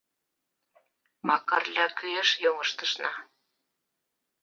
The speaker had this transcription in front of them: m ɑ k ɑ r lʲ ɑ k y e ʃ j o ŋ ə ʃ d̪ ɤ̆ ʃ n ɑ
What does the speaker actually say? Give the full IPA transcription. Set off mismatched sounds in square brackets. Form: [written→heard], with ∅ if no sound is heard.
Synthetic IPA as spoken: m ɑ k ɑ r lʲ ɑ k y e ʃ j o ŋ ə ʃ [d̪→t̪] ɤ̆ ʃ n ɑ